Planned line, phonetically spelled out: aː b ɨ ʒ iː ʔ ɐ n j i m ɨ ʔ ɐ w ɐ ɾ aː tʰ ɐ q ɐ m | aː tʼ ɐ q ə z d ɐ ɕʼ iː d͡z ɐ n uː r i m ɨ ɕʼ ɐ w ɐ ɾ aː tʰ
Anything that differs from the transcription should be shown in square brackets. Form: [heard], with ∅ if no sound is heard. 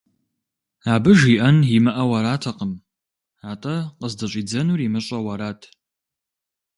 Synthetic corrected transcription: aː b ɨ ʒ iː ʔ ɐ n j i m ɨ ʔ ɐ w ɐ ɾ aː tʰ ɐ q [ə] m | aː tʼ ɐ q ə z d ɐ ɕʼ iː d͡z ɐ n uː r i m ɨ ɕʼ ɐ w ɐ ɾ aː tʰ